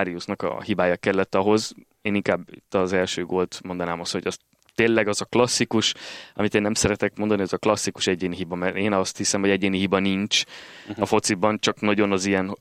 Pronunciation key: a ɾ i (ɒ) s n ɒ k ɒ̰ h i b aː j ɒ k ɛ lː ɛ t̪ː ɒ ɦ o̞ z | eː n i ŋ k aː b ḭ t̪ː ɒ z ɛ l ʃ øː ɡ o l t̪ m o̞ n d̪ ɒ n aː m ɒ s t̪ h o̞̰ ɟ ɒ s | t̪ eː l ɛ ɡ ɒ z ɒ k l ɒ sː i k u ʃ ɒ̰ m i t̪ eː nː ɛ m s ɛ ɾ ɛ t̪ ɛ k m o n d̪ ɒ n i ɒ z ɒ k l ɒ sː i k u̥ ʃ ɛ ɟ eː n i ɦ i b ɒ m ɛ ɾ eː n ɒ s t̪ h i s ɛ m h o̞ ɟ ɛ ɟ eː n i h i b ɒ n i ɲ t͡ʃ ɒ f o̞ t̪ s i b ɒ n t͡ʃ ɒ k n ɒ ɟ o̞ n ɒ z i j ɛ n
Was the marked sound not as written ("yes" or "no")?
yes